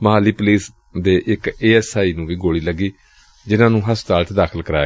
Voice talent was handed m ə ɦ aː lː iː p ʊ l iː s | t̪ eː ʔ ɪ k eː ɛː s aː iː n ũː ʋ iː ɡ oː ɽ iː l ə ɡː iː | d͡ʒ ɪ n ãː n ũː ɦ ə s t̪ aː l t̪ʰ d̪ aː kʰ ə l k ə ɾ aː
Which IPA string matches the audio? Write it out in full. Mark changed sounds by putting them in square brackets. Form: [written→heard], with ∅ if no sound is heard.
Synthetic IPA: m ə ɦ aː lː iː p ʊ l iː s | [t̪→d̪] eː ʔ ɪ k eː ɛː s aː iː n ũː ʋ iː ɡ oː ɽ iː l ə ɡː iː | d͡ʒ ɪ n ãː n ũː ɦ ə s t̪ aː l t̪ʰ d̪ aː kʰ ə l k ə ɾ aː